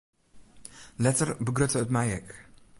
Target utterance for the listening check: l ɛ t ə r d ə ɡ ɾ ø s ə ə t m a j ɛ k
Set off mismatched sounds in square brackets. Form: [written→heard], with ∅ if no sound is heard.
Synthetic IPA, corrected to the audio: l ɛ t ə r [d→b] ə ɡ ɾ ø [s→t] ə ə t m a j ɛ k

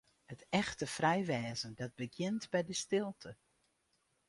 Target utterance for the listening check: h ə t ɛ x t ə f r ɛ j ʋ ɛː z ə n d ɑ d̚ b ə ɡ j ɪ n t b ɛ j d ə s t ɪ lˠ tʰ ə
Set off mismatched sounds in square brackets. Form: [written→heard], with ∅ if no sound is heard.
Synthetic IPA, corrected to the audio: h ə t ɛ x t ə f r ɛ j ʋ ɛː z ə n d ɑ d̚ b ə ɡ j ɪ n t b ɛ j d ə s t ɪ lˠ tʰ ə

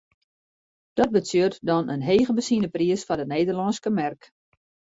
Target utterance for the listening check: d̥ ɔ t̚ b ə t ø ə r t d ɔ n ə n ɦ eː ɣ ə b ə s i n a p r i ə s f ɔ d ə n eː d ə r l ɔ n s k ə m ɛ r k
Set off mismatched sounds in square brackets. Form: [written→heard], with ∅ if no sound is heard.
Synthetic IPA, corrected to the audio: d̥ ɔ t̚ b ə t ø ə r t d ɔ n ə n ɦ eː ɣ ə b ə s i n [a→ə] p r i ə s f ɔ d ə n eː d ə r l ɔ n s k ə m ɛ r k

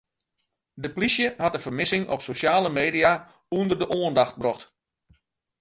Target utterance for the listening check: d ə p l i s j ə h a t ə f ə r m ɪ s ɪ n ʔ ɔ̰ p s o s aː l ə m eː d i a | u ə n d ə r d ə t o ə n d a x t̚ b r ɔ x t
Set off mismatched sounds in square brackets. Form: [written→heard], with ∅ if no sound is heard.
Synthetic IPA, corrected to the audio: d ə p l i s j ə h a t ə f ə r m ɪ s ɪ [n→ŋ] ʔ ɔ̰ p s o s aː l ə m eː d i a | u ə n d ə r d ə [t→ʔ] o ə n d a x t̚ b r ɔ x t

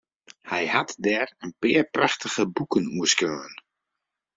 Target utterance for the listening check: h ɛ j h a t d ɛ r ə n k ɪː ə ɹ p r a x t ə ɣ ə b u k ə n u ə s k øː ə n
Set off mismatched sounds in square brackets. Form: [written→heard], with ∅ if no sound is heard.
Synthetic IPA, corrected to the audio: h ɛ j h a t d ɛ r ə n [k→p] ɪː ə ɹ p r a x t ə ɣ ə b u k ə n u ə s k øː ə n

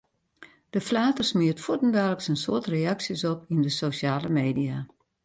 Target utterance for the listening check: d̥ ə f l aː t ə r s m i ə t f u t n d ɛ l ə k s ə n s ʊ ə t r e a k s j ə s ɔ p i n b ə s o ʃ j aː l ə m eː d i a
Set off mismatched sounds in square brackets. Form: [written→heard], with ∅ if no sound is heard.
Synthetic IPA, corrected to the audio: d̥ ə f l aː t ə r s m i ə t f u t n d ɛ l ə k s ə n s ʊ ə t r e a k s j ə s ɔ p i n [b→d] ə s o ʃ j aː l ə m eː d i a

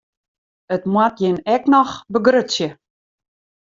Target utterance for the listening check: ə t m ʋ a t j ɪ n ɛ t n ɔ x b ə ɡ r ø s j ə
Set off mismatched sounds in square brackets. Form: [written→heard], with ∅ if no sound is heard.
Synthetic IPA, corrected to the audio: ə t m [ʋ→w] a t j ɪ n ɛ [t→k] n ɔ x b ə ɡ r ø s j ə

